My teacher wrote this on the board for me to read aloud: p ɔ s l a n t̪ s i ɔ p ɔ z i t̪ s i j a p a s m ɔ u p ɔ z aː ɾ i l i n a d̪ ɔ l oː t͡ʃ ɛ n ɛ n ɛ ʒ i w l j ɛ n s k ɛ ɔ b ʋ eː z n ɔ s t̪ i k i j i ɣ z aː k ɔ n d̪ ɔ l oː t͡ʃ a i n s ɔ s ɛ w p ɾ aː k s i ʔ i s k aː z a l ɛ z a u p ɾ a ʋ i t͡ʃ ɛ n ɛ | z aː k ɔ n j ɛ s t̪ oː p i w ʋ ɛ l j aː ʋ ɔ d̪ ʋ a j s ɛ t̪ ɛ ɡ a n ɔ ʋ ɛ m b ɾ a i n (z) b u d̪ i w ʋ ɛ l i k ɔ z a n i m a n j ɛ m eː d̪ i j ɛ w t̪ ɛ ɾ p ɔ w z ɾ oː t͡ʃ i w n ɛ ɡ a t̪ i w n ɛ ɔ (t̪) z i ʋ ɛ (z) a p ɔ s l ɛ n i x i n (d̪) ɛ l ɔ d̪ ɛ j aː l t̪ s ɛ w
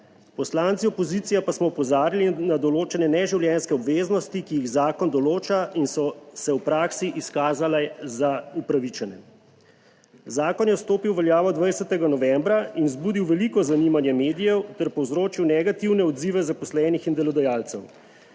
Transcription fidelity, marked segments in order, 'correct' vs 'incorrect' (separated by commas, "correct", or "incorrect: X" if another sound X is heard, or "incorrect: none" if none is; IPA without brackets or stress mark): correct, incorrect: d̪, correct, correct